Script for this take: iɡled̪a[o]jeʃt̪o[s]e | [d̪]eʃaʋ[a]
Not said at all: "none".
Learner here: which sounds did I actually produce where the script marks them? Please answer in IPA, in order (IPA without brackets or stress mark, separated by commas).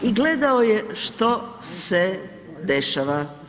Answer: o, s, d̪, a